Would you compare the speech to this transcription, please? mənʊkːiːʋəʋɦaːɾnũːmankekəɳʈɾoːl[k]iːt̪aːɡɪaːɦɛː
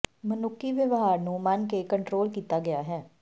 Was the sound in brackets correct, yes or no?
yes